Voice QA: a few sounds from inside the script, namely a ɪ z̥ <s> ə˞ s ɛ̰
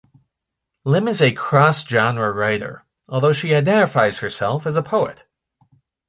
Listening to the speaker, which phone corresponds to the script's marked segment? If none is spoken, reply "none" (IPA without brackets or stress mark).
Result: h